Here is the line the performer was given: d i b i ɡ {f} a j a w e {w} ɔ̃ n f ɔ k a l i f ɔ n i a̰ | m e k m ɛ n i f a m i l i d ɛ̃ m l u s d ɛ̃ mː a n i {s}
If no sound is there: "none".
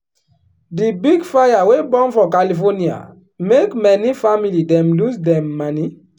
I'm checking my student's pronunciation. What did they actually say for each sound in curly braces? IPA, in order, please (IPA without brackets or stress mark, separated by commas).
f, b, none